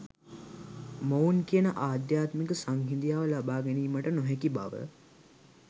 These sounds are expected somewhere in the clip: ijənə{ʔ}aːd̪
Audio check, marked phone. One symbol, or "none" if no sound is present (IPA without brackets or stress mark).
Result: ʔ